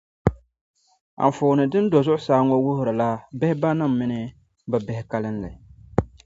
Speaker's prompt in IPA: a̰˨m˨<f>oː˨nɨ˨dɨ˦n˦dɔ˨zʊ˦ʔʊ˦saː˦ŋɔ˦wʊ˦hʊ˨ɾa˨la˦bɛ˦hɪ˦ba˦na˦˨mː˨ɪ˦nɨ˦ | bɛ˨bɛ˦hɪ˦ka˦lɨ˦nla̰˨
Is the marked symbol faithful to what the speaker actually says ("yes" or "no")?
yes